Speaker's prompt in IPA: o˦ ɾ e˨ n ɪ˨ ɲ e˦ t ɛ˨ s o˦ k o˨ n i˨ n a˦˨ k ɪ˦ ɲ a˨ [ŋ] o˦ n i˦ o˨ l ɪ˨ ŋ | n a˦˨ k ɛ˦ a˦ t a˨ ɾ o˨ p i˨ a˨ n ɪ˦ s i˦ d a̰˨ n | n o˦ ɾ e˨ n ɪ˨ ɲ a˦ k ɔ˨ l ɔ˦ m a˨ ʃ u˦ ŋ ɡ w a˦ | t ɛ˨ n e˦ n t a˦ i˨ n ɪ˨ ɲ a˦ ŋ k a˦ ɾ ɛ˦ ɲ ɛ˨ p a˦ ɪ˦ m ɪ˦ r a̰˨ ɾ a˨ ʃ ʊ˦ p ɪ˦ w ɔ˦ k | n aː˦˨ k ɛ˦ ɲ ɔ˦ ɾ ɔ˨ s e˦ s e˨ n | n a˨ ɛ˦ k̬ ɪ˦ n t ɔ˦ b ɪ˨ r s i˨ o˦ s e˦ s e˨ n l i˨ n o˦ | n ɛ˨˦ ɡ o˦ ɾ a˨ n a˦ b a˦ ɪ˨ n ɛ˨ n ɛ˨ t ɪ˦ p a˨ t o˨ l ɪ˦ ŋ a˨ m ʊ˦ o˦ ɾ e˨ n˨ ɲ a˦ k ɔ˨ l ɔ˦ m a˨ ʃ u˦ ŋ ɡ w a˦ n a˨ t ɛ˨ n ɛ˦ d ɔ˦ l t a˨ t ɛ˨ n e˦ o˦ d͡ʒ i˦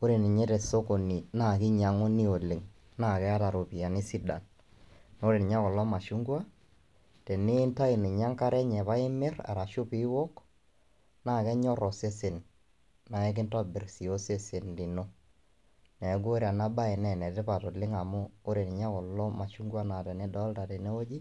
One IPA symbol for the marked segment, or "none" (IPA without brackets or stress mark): ŋ